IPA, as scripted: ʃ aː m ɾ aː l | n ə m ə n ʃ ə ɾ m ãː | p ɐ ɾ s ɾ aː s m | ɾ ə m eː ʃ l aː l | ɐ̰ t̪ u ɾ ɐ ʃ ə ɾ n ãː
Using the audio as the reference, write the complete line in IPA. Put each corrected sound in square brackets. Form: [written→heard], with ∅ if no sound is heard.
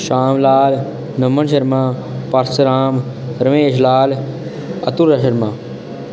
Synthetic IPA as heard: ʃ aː m [ɾ→l] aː l | n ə m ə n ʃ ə ɾ m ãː | p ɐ ɾ s ɾ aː [s→∅] m | ɾ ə m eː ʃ l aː l | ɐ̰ t̪ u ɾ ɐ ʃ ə ɾ [n→m] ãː